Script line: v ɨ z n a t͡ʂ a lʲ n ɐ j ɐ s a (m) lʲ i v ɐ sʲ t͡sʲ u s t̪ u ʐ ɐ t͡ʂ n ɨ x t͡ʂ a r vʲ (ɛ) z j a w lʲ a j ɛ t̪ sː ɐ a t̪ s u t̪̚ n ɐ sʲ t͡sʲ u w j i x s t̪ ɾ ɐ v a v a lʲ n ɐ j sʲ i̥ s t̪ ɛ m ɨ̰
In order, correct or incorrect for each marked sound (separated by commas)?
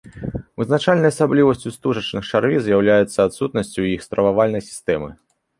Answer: incorrect, incorrect